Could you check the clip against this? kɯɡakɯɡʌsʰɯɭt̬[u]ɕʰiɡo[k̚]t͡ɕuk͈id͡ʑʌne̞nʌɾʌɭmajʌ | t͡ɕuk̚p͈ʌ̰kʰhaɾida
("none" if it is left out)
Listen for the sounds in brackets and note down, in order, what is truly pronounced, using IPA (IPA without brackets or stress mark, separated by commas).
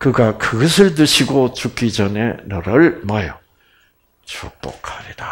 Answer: ɯ, none